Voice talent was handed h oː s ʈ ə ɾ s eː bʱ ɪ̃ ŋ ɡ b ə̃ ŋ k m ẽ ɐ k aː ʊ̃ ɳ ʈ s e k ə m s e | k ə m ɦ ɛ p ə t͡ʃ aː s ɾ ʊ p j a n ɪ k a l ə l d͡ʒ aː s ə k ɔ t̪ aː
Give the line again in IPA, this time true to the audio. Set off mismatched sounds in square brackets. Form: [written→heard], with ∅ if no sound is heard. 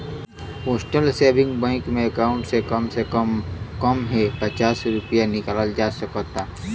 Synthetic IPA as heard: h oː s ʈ ə [ɾ→l] s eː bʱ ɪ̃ ŋ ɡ b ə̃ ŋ k m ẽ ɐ k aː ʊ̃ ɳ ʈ s e k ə m s e | k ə m ɦ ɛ p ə t͡ʃ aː s ɾ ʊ p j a n ɪ k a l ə l d͡ʒ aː s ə k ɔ t̪ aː